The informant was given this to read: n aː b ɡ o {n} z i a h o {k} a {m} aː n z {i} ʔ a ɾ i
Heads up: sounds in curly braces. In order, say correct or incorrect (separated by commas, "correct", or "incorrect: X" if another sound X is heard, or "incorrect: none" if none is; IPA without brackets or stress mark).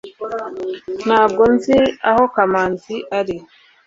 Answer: correct, correct, correct, correct